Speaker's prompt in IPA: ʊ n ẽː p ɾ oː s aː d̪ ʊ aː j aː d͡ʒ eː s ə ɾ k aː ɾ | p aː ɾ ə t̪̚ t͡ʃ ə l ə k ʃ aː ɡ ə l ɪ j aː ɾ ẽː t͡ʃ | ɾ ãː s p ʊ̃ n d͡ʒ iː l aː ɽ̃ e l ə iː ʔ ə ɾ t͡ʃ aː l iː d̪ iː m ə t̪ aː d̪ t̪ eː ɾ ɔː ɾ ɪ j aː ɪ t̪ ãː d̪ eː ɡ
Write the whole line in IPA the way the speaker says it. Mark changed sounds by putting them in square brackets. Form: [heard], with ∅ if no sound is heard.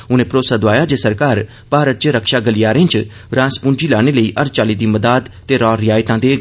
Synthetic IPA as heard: ʊ n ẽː p ɾ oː s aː d̪ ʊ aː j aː d͡ʒ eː s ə ɾ k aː ɾ | p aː ɾ ə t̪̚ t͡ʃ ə [ɾ] ə k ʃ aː ɡ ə l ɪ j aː ɾ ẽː t͡ʃ | ɾ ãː s p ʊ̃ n d͡ʒ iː l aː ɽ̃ e l ə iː ʔ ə ɾ t͡ʃ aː l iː d̪ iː m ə [d̪] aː d̪ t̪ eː ɾ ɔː ɾ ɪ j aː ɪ t̪ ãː d̪ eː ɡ